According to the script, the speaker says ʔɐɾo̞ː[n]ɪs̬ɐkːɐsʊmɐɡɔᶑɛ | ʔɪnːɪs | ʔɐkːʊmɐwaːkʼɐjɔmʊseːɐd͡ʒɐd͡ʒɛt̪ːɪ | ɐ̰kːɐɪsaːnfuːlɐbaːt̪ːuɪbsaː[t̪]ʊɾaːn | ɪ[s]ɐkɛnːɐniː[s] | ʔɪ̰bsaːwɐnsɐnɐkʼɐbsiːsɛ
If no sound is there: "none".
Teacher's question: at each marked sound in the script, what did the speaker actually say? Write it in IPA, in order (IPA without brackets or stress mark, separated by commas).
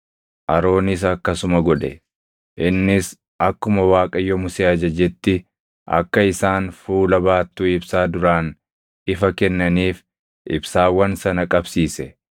n, d̪, f, f